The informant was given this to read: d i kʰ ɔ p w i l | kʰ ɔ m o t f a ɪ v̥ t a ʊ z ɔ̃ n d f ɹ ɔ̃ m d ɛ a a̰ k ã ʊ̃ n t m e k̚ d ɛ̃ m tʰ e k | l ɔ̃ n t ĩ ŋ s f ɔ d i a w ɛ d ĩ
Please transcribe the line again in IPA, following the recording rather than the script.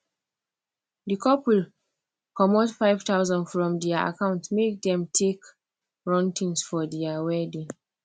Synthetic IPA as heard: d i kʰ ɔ p w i l | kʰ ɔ m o t f a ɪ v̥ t a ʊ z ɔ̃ n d f ɹ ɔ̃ m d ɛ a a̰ k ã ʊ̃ n t m e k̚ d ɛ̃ m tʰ e k | ɹ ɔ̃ n t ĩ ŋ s f ɔ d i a w ɛ d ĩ